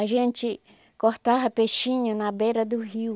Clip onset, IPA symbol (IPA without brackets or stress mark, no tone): a